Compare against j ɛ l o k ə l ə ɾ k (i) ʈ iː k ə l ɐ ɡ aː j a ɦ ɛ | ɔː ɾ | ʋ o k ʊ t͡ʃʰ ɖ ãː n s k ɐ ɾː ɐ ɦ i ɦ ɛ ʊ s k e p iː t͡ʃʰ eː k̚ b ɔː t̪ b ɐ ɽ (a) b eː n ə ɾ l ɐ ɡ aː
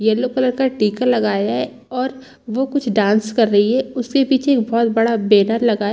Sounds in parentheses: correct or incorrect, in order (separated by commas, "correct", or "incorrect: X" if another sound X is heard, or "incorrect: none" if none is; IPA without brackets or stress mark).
incorrect: a, correct